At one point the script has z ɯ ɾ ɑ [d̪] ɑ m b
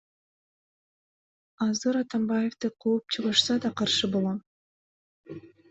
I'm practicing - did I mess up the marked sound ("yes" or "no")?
yes